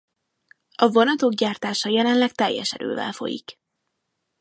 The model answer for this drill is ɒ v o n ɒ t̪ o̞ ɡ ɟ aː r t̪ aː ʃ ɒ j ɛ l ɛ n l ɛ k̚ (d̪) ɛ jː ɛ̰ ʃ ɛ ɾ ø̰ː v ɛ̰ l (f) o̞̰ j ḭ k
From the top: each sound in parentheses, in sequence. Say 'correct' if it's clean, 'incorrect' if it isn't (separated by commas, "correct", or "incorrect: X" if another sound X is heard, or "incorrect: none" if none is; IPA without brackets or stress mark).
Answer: incorrect: t̪, correct